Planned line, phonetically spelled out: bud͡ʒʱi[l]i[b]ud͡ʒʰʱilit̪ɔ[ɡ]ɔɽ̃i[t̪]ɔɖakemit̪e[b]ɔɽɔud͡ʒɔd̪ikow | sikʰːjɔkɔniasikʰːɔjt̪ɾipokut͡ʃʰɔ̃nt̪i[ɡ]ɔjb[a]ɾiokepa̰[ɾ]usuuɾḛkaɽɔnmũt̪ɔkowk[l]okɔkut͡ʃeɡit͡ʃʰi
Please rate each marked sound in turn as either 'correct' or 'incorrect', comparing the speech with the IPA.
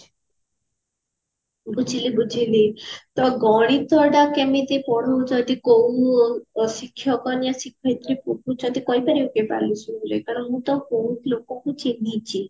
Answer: correct, correct, correct, correct, incorrect, incorrect, correct, incorrect, correct

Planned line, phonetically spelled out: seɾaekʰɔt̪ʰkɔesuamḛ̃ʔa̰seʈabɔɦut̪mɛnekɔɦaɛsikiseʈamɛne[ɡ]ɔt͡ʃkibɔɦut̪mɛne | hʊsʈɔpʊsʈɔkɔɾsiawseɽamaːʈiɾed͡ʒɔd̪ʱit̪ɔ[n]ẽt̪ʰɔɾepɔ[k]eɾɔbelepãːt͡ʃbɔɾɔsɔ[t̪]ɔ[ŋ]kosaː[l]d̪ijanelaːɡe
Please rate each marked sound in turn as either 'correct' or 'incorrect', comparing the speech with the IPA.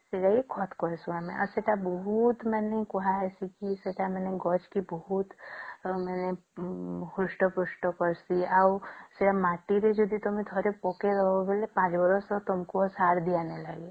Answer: correct, incorrect, correct, correct, incorrect, incorrect

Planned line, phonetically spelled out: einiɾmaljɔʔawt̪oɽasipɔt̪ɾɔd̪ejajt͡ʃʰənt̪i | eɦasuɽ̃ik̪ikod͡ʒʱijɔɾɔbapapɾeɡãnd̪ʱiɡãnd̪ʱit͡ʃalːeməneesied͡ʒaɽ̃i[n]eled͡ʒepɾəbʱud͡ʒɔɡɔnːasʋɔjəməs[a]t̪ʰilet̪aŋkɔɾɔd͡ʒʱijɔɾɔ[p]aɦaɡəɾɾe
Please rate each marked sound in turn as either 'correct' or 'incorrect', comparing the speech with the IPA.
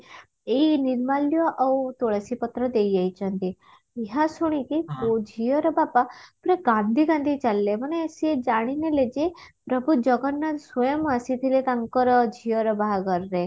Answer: correct, incorrect, incorrect

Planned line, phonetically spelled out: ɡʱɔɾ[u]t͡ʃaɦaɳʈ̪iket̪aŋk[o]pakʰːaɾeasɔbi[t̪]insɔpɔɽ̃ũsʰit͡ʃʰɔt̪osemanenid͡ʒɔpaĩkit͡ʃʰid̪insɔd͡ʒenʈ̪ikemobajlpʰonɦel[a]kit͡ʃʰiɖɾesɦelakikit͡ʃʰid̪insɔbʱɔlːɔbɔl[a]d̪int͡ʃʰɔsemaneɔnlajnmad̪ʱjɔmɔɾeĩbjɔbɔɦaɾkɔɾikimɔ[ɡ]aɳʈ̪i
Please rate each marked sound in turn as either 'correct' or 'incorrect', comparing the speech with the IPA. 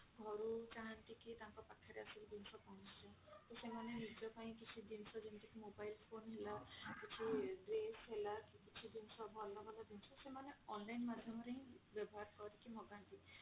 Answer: correct, incorrect, incorrect, correct, correct, correct

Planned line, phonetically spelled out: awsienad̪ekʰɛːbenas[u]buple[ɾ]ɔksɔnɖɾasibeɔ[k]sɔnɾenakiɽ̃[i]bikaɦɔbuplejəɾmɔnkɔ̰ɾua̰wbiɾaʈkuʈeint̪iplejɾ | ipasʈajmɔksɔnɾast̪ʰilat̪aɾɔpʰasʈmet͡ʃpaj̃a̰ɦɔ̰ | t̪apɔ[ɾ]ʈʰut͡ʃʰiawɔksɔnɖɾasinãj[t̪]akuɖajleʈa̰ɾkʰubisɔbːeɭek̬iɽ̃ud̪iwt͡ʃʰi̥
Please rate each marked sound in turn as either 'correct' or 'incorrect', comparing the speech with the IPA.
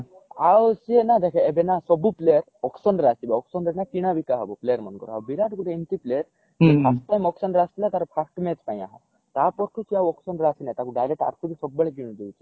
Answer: incorrect, correct, correct, incorrect, correct, correct

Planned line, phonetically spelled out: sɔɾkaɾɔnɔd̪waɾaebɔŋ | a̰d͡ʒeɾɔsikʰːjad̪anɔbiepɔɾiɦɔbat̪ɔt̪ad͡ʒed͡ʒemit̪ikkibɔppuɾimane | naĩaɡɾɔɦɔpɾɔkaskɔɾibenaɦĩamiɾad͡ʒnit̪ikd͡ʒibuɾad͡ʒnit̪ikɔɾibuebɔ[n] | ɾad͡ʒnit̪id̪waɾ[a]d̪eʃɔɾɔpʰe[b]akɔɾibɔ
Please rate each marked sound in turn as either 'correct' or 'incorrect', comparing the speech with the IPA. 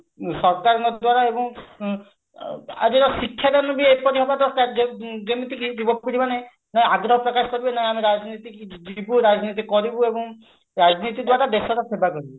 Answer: incorrect, correct, correct

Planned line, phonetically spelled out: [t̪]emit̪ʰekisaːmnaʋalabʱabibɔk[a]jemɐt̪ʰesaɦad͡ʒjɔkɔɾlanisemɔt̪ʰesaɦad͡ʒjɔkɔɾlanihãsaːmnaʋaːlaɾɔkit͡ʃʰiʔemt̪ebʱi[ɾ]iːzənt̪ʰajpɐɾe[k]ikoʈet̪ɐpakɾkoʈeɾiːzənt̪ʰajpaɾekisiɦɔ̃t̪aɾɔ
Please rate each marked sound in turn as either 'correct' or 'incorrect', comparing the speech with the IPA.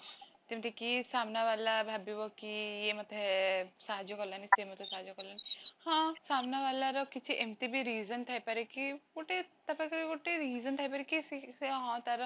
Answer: correct, incorrect, correct, correct

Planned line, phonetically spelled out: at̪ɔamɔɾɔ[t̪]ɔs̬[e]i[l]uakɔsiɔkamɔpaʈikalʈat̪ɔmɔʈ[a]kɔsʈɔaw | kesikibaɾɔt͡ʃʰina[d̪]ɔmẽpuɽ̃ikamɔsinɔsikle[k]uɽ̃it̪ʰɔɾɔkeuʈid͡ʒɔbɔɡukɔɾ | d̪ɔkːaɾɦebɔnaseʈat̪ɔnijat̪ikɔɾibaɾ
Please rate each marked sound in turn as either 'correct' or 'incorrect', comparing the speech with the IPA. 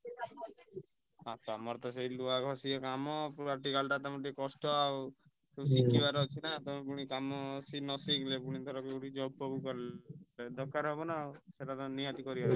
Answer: correct, correct, correct, incorrect, incorrect, incorrect

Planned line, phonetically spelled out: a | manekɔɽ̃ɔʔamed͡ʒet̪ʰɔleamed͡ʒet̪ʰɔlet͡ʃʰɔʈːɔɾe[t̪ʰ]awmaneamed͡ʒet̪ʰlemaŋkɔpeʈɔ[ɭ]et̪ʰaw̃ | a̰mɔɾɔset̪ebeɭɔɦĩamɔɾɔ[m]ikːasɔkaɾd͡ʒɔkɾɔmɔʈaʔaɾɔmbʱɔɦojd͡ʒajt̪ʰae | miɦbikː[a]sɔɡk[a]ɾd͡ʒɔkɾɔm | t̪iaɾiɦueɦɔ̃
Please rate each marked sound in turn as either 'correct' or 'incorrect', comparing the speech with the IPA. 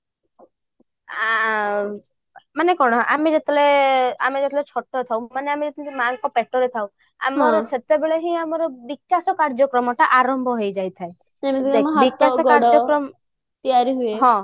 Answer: correct, incorrect, incorrect, correct, correct

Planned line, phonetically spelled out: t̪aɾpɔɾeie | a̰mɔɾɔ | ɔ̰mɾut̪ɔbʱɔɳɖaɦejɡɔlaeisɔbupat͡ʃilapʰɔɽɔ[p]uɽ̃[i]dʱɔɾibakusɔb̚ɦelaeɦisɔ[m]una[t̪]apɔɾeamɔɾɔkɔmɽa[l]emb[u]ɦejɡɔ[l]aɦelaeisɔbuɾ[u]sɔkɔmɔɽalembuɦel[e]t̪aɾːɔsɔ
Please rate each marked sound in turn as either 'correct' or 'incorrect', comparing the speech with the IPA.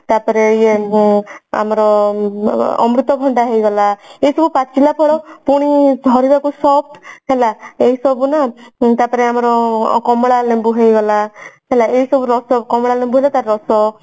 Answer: correct, correct, incorrect, correct, correct, correct, correct, incorrect, incorrect

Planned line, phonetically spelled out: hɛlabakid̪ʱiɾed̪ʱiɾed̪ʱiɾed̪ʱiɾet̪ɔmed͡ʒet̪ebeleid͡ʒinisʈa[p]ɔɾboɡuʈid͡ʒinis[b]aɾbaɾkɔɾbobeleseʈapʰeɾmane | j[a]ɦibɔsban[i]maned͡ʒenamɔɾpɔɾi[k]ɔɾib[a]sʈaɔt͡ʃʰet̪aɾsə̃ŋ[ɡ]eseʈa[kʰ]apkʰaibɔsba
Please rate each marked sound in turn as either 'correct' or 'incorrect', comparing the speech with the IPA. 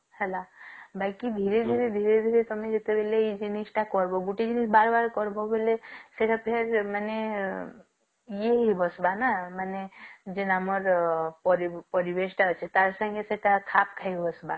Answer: incorrect, correct, incorrect, incorrect, incorrect, incorrect, correct, correct

